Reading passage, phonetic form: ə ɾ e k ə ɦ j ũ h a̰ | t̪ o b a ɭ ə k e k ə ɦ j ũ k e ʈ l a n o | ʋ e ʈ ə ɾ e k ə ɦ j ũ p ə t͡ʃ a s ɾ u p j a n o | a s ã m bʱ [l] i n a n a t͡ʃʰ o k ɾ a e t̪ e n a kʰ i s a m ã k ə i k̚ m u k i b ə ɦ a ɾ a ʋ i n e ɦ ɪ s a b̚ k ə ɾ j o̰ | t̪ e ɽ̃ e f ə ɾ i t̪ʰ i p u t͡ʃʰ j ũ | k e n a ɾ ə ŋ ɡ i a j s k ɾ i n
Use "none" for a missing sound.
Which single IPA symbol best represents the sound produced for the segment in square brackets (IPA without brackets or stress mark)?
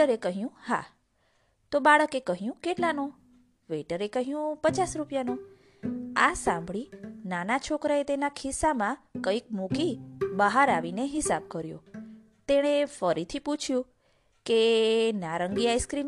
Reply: ɭ